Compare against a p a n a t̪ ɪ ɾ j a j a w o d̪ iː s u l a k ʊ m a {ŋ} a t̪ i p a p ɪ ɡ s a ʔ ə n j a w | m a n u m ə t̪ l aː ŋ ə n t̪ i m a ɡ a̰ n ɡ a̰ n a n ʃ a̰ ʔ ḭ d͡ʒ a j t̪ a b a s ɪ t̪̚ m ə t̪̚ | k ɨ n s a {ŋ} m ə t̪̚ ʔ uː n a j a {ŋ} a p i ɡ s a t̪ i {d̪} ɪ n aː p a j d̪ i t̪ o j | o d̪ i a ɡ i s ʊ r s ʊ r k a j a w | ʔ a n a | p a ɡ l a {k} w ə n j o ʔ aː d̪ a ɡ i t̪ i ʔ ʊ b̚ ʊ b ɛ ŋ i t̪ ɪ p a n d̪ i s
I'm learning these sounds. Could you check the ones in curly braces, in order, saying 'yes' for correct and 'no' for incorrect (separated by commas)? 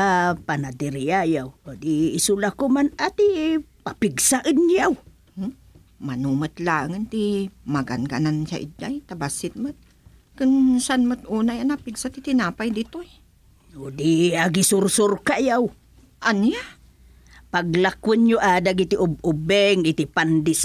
no, no, no, no, yes